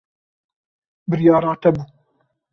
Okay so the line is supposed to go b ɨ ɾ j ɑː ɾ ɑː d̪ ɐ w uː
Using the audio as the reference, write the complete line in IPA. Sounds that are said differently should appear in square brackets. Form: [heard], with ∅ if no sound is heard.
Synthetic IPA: b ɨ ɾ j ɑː ɾ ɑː [t̪] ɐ [b] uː